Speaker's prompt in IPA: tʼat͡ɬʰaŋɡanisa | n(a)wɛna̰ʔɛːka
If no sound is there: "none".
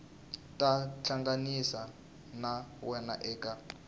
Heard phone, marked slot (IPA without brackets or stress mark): a